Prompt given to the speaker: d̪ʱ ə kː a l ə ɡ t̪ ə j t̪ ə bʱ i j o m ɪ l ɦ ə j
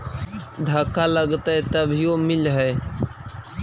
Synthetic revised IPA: d̪ʱ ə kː a l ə ɡ t̪ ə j t̪ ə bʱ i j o m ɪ l ɦ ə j